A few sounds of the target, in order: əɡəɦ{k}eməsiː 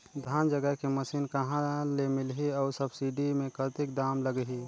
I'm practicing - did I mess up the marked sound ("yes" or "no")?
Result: no